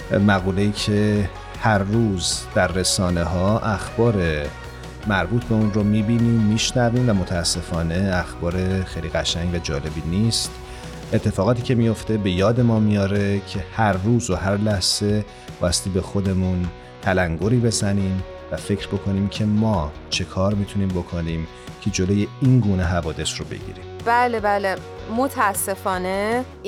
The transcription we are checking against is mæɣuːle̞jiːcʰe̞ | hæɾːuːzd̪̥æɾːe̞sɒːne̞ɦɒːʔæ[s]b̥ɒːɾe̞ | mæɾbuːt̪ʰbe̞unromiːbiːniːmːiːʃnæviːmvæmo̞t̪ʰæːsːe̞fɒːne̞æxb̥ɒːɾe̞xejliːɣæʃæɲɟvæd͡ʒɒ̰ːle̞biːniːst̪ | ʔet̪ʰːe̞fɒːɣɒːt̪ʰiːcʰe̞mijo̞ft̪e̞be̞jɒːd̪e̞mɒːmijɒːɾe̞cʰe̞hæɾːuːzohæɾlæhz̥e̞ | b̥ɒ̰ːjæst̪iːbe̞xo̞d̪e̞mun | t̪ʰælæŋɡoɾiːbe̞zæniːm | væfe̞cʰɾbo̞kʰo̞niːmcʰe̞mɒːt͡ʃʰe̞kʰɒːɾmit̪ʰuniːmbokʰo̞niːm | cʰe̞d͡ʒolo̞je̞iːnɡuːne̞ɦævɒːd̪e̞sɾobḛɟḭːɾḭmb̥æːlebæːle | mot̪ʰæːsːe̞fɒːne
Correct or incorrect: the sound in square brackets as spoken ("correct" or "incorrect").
incorrect